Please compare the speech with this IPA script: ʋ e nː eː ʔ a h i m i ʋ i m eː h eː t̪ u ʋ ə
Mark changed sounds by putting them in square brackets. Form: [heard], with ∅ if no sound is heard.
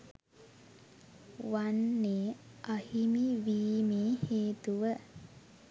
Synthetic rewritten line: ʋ [a] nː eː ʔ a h i m i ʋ [iː] m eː h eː t̪ u ʋ ə